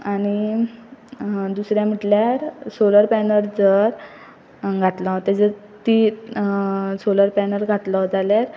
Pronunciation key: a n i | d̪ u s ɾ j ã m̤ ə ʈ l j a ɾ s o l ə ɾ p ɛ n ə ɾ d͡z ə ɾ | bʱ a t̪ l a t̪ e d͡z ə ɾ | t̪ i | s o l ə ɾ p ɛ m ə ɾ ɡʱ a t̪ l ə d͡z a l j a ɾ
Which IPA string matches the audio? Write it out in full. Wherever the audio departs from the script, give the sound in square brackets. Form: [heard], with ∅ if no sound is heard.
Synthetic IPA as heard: a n i | d̪ u s ɾ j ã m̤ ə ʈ l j a ɾ s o l ə ɾ p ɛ n ə ɾ d͡z ə ɾ | [ɡʱ] a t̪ l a t̪ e d͡z ə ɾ | t̪ i | s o l ə ɾ p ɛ [n] ə ɾ ɡʱ a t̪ l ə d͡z a l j a ɾ